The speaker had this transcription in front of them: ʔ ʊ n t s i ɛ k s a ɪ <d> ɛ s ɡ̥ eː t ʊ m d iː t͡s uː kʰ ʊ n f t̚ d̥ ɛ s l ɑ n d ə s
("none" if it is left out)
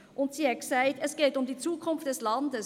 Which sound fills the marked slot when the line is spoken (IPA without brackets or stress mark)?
t